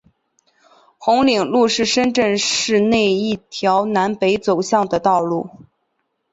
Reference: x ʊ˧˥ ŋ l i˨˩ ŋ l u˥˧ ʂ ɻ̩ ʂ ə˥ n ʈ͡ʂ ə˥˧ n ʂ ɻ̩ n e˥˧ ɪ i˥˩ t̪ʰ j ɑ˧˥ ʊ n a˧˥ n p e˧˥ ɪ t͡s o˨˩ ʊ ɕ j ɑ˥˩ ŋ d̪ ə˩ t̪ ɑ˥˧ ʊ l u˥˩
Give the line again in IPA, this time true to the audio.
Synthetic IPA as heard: x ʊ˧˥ ŋ l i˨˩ ŋ l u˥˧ ʂ ɻ̩ ʂ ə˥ n ʈ͡ʂ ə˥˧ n ʂ ɻ̩ n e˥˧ ɪ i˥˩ t̪ʰ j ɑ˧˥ ʊ n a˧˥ n p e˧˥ ɪ t͡s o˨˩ ʊ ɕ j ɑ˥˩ ŋ d̪ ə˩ t̪ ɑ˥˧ ʊ l u˥˩